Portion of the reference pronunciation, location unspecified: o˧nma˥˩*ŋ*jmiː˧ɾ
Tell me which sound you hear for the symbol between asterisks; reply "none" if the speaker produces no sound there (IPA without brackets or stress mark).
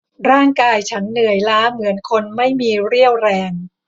none